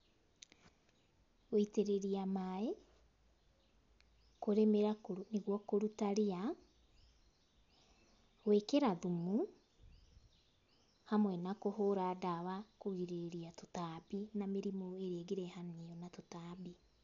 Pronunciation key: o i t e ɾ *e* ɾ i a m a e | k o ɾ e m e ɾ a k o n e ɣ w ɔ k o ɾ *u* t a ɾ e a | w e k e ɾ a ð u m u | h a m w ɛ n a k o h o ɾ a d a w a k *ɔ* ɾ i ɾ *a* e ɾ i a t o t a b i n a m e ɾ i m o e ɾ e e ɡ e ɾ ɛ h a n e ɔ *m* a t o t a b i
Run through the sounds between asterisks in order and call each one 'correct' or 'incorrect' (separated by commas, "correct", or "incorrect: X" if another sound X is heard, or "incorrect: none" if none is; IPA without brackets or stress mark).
correct, correct, incorrect: o, incorrect: e, incorrect: n